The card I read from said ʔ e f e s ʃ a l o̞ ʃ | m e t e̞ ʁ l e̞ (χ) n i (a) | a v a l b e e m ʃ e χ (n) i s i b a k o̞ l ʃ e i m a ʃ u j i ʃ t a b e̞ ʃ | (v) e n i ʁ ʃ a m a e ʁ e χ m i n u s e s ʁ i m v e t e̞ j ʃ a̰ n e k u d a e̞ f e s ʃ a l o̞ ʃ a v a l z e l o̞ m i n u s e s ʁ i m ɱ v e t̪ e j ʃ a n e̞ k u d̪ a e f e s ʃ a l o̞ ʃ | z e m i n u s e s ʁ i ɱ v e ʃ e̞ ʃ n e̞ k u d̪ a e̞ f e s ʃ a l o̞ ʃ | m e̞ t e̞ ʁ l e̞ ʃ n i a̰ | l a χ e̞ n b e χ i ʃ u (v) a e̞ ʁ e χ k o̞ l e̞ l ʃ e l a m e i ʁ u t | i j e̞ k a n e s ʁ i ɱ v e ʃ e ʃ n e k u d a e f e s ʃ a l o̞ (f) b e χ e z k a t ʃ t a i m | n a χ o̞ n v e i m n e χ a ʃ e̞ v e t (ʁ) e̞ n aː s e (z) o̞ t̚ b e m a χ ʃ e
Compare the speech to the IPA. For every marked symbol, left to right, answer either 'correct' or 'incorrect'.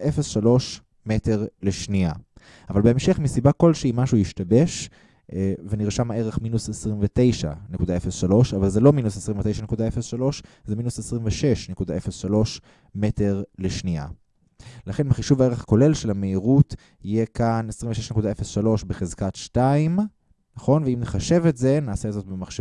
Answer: incorrect, correct, incorrect, correct, correct, incorrect, incorrect, correct

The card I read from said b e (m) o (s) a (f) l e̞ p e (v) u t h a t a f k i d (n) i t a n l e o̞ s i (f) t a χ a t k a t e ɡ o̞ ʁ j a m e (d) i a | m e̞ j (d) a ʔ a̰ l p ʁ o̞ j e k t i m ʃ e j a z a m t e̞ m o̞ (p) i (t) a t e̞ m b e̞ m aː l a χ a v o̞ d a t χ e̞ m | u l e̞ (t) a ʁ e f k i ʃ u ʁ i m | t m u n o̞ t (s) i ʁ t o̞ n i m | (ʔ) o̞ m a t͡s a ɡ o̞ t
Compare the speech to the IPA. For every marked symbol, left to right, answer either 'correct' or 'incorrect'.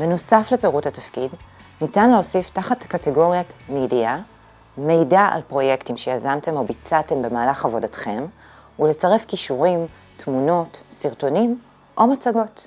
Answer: incorrect, correct, correct, incorrect, correct, correct, correct, correct, incorrect, incorrect, incorrect, correct, correct

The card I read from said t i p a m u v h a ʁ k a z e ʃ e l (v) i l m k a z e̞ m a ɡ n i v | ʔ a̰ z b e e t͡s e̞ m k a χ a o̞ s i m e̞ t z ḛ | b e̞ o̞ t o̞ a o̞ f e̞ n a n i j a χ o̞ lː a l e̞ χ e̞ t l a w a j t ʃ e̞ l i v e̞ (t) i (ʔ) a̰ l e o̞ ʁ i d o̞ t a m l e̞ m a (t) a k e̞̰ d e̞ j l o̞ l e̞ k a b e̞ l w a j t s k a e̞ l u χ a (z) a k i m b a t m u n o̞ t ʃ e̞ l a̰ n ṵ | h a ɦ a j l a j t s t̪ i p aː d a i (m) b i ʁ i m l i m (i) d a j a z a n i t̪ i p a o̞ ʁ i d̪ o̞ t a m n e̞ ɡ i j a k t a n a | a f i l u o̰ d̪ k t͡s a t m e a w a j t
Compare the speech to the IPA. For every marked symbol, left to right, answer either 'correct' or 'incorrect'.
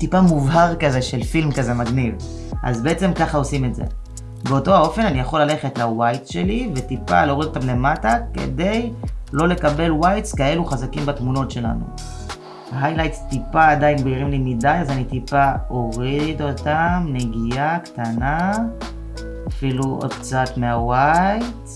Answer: incorrect, correct, incorrect, correct, correct, incorrect, correct

